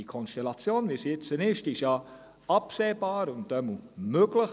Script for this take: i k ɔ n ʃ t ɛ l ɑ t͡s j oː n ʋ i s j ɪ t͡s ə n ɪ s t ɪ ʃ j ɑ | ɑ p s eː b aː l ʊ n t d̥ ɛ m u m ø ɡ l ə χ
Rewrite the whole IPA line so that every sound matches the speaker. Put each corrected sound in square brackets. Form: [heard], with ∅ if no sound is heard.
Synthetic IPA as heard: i [kʰ] ɔ n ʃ t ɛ l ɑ t͡s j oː n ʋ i s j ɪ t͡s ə n ɪ [ʃ] t ɪ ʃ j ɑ | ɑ p s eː b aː [ɾ] ʊ n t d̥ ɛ m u m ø ɡ l ə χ